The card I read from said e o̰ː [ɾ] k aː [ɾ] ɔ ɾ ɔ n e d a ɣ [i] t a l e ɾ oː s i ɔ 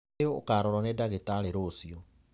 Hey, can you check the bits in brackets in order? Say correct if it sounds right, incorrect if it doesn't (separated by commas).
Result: incorrect, correct, incorrect